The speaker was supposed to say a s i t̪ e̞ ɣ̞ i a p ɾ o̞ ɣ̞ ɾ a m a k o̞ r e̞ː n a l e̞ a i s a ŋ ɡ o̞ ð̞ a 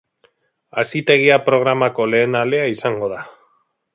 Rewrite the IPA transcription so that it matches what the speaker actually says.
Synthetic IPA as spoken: a s i t̪ e̞ ɣ̞ i a p ɾ o̞ ɣ̞ ɾ a m a k o̞ l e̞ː n a l e̞ a i s a ŋ ɡ o̞ ð̞ a